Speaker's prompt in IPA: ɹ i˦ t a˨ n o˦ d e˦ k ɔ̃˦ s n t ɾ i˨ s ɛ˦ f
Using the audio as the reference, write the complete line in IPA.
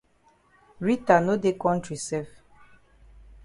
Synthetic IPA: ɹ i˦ t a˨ n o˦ d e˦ k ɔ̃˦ n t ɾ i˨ s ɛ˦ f